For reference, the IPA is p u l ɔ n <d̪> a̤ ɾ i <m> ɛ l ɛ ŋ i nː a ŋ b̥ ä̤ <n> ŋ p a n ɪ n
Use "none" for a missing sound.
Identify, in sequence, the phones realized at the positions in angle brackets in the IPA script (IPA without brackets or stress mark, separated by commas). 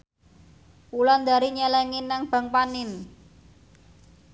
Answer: d̪, ɲ, none